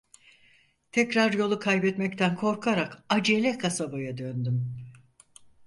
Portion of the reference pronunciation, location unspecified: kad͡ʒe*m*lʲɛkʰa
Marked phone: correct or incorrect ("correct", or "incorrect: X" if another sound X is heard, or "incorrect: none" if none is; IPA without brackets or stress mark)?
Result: incorrect: none